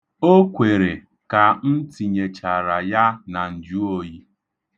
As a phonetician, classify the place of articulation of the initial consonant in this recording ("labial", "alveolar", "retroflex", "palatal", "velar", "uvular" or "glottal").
velar